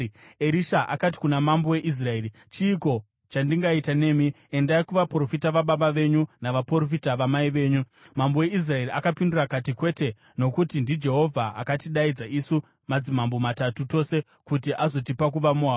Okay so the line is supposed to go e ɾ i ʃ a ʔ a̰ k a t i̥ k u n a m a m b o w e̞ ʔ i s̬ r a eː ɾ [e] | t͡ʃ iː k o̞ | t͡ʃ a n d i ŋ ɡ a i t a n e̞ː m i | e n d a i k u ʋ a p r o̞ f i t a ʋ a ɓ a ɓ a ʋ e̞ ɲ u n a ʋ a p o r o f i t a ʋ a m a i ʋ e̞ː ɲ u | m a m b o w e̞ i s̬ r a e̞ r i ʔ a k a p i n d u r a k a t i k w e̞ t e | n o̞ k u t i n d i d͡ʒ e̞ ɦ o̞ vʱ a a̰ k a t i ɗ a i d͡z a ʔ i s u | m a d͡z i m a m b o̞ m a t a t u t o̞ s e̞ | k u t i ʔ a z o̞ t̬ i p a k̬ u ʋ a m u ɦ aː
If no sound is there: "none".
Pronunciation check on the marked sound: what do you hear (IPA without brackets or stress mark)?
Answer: i